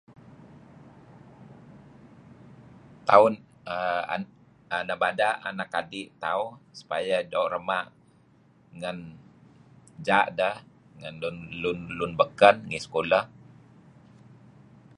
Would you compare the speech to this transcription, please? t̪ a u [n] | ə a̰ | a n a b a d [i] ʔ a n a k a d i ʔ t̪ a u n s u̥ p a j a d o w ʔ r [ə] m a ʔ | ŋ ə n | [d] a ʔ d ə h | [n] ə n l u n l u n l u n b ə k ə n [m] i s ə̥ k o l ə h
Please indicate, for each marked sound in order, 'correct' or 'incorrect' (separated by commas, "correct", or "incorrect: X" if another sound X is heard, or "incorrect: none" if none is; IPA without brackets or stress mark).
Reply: correct, incorrect: a, correct, incorrect: d͡ʒ, incorrect: ŋ, incorrect: ŋ